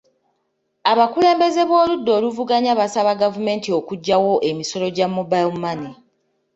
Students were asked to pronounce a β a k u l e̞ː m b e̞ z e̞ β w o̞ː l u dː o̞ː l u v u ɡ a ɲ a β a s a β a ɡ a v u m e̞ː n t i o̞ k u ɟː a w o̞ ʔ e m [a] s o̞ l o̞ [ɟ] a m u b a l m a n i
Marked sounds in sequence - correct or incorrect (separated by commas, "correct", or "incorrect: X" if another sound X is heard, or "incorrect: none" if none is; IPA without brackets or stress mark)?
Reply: incorrect: i, correct